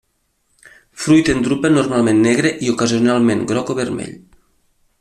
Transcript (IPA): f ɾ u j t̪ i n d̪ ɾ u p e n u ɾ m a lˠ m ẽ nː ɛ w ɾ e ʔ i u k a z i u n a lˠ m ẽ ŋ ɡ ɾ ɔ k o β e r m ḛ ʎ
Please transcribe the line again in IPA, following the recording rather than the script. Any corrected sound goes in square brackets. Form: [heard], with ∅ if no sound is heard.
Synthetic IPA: f ɾ u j t̪ [e] n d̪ ɾ u p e n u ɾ m a lˠ m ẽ nː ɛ [ɣ] ɾ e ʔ i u k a z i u n a lˠ m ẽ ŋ ɡ ɾ ɔ k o β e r m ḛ ʎ